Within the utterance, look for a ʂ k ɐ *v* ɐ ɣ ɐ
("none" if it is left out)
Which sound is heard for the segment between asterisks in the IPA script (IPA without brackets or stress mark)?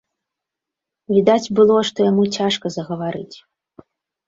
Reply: z